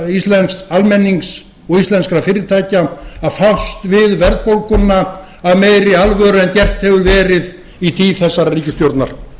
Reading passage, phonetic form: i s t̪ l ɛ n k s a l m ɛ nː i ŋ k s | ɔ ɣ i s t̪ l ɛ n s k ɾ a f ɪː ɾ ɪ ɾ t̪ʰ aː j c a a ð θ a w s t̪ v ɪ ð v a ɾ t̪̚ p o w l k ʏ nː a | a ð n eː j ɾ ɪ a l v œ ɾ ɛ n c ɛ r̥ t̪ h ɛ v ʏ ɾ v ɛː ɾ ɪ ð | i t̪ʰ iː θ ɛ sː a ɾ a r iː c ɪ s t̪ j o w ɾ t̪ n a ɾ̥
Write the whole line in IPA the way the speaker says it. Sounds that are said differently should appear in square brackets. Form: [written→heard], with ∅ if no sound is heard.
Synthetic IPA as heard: i s t̪ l ɛ n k s a l m ɛ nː i ŋ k s | ɔ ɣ i s t̪ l ɛ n s k ɾ a f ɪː ɾ ɪ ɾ t̪ʰ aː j c a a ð [θ→f] a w s t̪ v ɪ ð v [a→ɛ] ɾ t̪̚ p o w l k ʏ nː a | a ð [n→m] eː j ɾ ɪ a l v œ ɾ ɛ n c ɛ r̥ t̪ h ɛ v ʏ ɾ v ɛː ɾ ɪ ð | i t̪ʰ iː θ ɛ sː a ɾ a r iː c ɪ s t̪ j o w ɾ t̪ n a ɾ̥